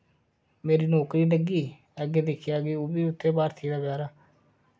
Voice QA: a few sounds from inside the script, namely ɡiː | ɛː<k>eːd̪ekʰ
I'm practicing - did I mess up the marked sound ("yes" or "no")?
yes